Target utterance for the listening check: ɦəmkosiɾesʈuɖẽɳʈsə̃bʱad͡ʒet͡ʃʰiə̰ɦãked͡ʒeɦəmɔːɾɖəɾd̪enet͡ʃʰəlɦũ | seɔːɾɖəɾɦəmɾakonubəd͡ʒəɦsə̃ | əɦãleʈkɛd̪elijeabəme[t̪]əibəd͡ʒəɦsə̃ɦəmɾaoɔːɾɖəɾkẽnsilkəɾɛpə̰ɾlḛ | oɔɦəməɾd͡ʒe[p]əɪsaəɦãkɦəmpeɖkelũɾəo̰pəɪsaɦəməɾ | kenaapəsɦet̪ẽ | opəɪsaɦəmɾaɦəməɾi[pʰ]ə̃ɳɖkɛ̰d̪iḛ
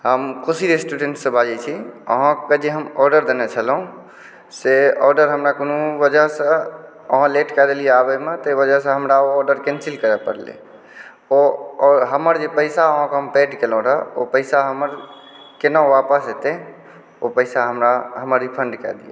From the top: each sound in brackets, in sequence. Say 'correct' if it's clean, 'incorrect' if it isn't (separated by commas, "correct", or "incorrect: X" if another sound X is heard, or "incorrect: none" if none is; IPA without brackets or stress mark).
correct, correct, correct